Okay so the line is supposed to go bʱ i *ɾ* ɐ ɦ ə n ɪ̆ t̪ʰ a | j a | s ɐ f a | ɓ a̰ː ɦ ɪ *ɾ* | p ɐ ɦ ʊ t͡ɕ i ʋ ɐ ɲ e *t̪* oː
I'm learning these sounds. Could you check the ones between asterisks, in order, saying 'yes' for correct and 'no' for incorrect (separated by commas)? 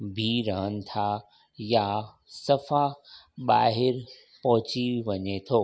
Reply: yes, yes, no